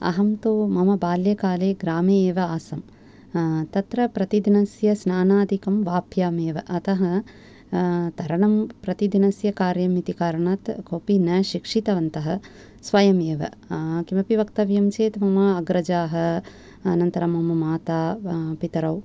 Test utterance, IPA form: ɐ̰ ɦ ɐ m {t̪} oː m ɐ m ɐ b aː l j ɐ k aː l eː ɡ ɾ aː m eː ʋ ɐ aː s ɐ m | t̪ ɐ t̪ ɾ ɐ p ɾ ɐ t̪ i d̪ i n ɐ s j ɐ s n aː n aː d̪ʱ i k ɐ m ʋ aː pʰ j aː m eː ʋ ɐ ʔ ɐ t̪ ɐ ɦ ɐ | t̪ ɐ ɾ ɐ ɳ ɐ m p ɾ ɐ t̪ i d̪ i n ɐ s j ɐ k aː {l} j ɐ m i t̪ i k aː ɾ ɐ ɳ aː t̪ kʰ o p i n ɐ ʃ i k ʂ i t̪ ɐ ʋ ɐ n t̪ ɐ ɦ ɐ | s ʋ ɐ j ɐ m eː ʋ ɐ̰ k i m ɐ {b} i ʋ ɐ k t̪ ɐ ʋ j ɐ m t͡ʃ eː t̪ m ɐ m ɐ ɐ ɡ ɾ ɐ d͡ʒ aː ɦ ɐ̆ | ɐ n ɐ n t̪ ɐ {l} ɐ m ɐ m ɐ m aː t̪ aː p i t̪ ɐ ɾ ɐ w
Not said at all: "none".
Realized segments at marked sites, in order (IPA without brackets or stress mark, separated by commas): t̪, ɾ, p, ɾ